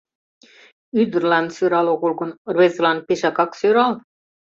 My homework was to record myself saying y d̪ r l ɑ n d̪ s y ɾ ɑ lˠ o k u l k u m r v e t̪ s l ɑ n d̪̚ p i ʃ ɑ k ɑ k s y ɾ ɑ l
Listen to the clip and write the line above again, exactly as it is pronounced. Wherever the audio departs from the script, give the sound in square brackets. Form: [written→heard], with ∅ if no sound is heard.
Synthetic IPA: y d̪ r l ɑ n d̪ s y ɾ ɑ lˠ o k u l k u [m→n] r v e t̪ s l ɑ n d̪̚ p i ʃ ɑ k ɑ k s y ɾ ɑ l